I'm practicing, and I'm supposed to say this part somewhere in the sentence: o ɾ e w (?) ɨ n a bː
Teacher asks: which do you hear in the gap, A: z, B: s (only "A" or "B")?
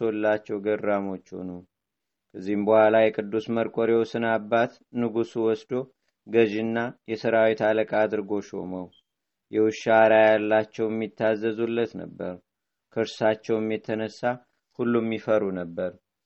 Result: B